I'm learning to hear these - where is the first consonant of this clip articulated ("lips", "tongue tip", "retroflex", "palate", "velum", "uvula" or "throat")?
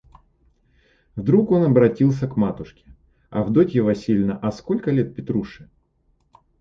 lips